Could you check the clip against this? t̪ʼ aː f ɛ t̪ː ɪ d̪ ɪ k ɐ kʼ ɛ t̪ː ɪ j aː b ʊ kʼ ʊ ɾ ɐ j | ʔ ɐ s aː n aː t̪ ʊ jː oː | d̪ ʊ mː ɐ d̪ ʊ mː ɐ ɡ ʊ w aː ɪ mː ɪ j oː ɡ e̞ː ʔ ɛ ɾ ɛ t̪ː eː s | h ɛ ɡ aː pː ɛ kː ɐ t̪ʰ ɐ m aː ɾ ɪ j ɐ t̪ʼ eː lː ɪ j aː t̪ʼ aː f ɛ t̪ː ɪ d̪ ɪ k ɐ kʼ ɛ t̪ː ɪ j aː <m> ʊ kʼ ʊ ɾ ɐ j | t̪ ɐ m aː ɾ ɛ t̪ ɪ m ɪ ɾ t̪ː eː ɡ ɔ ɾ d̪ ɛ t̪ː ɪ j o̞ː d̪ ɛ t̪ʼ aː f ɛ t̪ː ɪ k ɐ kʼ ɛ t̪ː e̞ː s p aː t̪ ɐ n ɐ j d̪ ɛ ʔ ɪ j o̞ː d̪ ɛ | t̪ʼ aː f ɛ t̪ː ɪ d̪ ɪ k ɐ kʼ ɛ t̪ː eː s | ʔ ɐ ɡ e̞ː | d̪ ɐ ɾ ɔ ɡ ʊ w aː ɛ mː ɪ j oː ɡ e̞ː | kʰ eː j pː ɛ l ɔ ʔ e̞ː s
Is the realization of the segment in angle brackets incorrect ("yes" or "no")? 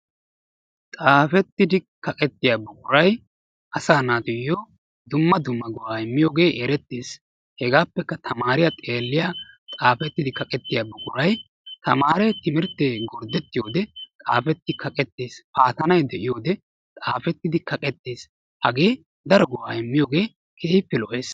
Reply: yes